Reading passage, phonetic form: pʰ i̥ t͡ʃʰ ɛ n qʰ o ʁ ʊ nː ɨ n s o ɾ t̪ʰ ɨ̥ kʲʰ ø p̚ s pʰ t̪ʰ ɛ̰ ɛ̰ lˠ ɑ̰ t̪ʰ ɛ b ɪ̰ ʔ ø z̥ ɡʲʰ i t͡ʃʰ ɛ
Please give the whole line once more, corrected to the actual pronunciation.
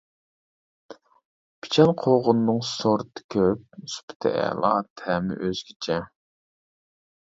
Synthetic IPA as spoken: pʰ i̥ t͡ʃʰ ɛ n qʰ o ʁ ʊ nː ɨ ŋ s o ɾ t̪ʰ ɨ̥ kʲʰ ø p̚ s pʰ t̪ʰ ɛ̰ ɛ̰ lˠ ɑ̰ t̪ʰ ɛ m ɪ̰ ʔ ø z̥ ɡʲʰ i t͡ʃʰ ɛ